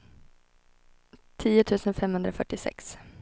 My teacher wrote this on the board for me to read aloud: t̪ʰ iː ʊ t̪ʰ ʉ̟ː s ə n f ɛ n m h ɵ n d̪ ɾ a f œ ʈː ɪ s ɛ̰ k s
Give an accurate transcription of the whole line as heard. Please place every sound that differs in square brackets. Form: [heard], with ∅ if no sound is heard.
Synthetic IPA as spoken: t̪ʰ iː ʊ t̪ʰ ʉ̟ː s ə n f ɛ [∅] m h ɵ n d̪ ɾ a f œ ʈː ɪ s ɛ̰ k s